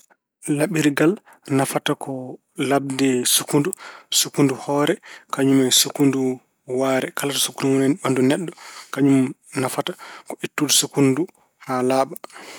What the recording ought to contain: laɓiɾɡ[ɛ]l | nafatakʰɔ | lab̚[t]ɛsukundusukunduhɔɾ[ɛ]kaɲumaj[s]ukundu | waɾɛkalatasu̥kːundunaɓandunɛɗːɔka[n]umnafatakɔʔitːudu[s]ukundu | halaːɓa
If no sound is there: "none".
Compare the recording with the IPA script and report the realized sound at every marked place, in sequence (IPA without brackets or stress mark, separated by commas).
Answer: a, d, ɛ, s, ɲ, s